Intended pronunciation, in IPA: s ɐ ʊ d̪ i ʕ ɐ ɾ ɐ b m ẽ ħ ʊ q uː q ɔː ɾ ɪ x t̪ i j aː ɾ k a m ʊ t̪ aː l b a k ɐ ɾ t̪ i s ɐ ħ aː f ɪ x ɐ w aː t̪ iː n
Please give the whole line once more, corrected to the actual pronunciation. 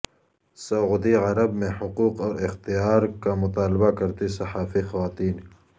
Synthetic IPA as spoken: s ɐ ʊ d̪ i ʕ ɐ ɾ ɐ b m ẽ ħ ʊ q uː q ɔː ɾ ɪ x t̪ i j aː ɾ k a m ʊ t̪ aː l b a k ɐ ɾ t̪ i s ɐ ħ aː f i x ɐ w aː t̪ iː n